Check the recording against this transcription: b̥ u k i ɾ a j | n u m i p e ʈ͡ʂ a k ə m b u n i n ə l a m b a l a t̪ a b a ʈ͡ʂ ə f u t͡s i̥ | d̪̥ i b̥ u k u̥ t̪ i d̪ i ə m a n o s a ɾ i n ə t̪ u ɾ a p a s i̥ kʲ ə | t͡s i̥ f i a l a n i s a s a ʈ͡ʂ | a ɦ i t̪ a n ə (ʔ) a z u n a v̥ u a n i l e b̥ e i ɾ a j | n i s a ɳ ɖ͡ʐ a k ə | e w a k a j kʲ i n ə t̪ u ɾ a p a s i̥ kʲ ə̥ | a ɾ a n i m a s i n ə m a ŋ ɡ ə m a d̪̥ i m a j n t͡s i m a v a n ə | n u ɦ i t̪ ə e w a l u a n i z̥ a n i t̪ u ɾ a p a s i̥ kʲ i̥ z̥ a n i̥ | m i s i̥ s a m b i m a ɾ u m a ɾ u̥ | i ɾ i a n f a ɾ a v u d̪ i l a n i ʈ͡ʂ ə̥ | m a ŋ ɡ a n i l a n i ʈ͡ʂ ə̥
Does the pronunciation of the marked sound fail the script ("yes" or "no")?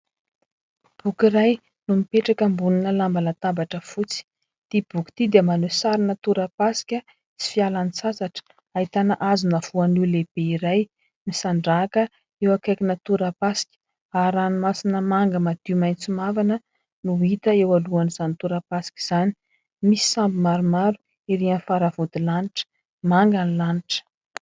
no